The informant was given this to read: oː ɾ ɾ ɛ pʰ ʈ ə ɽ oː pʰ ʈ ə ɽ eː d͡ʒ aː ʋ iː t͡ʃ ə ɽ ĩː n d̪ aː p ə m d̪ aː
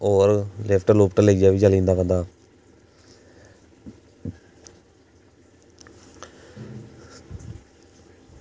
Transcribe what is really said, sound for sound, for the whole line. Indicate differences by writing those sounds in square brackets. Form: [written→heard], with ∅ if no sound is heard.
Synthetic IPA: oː ɾ [ɾ→l] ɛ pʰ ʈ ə [ɽ→l] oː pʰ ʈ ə [ɽ→l] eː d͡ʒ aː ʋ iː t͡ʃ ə [ɽ→l] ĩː n d̪ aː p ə [m→n] d̪ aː